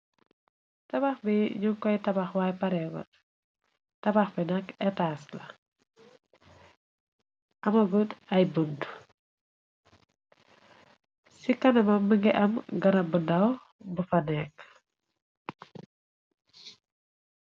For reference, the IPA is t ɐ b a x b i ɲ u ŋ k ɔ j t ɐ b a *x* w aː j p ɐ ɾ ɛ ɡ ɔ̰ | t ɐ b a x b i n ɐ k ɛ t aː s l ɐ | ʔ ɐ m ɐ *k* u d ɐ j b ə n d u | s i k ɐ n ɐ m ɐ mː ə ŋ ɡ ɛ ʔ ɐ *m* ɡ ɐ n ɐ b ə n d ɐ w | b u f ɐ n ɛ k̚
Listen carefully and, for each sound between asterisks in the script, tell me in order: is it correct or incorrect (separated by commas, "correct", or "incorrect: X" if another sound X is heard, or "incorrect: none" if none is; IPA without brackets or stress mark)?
correct, incorrect: ɡ, correct